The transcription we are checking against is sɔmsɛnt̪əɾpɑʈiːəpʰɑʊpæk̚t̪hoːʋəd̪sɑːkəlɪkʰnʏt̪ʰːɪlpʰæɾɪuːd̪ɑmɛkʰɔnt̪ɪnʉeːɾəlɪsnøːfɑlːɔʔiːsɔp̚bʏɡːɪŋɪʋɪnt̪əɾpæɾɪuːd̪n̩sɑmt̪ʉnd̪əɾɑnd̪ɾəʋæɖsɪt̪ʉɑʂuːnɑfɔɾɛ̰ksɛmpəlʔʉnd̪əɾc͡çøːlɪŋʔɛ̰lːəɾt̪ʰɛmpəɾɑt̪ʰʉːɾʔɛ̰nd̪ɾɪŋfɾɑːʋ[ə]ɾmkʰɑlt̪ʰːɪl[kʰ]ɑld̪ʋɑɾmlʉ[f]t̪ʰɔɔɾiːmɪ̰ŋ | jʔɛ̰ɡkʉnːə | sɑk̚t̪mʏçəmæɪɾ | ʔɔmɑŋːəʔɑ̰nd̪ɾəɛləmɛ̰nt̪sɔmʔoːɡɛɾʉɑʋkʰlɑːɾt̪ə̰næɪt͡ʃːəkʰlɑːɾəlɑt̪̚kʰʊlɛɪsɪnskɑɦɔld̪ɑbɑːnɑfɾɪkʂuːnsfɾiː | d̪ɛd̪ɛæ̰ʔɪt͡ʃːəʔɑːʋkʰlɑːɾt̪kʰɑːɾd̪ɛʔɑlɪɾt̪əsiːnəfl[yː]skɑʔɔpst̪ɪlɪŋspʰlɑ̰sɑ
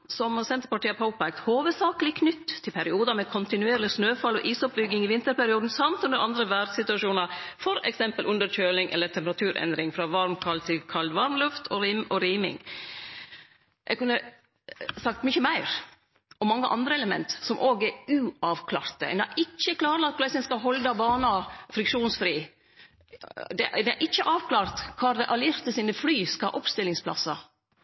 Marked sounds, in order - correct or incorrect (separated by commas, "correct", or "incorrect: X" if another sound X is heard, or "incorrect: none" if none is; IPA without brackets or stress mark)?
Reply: incorrect: ɑ, correct, correct, correct